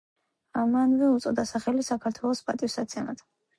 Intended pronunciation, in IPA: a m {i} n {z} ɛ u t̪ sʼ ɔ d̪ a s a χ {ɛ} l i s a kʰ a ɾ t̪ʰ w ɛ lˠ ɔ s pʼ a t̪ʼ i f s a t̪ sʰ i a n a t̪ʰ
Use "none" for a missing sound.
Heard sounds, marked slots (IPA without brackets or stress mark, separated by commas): a, v, ɛ